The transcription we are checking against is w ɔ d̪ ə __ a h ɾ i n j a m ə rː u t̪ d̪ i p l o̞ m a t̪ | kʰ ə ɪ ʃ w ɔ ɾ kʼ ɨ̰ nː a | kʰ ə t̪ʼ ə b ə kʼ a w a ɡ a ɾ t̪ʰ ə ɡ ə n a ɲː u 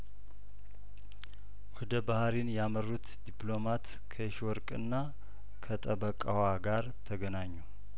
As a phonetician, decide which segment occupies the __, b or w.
b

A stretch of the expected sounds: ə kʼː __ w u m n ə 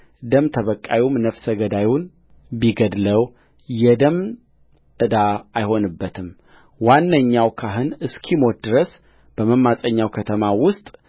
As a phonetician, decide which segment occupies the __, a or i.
a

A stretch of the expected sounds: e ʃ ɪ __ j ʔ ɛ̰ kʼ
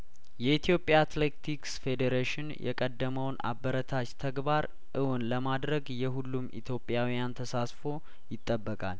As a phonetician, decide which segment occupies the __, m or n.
n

